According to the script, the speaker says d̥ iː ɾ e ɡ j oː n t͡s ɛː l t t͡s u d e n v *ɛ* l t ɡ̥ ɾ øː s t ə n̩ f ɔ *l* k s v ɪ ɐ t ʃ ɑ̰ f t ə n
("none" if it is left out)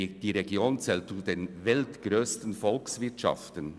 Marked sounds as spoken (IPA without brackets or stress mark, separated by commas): ɛ, l